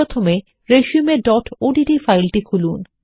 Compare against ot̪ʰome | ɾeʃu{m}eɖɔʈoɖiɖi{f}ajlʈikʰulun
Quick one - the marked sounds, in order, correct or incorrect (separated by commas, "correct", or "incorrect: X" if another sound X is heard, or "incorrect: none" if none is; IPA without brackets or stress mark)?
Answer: correct, correct